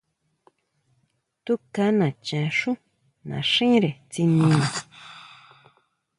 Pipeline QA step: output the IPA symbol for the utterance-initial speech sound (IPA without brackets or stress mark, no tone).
t̪